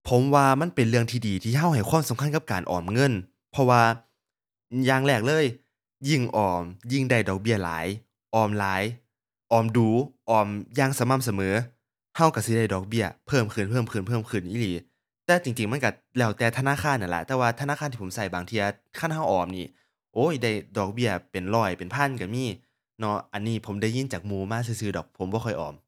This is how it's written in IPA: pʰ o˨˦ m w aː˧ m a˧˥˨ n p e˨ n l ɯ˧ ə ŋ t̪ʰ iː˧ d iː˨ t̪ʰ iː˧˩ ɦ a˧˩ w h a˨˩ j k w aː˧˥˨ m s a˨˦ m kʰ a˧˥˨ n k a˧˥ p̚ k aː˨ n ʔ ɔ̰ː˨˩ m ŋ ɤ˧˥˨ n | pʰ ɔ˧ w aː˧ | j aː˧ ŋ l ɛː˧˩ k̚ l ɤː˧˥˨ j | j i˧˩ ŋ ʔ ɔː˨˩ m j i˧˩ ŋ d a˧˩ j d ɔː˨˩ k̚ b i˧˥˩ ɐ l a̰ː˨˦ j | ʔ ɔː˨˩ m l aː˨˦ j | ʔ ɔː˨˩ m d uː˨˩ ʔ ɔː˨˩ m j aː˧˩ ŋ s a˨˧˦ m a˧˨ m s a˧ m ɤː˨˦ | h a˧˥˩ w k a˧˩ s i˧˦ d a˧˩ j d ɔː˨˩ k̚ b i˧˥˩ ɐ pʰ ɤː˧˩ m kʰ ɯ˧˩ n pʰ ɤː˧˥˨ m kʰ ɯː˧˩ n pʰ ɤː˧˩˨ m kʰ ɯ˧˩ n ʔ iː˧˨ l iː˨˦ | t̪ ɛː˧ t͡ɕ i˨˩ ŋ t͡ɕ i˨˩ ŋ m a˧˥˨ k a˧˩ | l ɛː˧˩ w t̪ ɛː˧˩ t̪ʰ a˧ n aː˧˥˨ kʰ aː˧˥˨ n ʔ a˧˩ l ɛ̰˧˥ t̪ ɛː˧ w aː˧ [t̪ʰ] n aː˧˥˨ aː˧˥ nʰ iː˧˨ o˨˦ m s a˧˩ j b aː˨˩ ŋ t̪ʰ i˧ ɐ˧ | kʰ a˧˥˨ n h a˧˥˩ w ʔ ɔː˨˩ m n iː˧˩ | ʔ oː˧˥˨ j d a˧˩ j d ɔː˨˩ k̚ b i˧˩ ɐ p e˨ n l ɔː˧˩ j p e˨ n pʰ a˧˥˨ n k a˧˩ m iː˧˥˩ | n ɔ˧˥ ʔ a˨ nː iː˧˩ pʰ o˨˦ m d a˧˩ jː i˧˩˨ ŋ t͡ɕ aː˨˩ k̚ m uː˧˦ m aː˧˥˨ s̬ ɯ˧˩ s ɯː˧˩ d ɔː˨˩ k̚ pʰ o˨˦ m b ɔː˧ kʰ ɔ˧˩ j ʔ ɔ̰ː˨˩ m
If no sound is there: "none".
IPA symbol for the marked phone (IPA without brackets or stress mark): t̪ʰ